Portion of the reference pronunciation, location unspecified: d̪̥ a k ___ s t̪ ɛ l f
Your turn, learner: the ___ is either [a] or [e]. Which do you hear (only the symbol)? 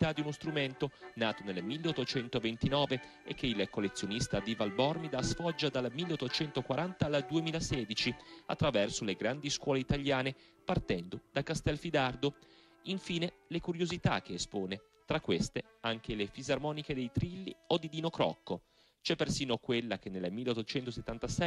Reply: a